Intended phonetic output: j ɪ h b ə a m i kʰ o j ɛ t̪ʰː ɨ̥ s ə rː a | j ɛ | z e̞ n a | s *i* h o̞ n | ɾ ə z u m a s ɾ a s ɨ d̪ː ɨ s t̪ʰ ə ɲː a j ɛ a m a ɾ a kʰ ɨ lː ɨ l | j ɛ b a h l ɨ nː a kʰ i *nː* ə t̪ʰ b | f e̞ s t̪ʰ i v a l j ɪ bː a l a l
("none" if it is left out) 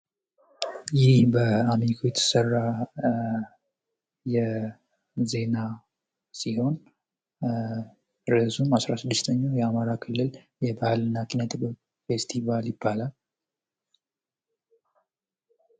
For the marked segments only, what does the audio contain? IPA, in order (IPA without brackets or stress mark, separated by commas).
i, n